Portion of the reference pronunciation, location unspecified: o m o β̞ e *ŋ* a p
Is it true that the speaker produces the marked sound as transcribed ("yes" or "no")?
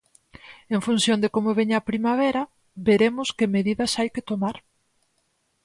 no